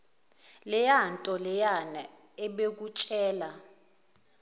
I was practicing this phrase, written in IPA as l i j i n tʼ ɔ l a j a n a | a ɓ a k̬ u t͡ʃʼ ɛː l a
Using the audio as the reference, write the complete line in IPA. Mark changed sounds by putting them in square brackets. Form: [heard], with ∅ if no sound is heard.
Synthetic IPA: l [ɛ] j [a] n tʼ ɔ l [ɛ] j a n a | [ɛ] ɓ [e] k̬ u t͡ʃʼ ɛː l a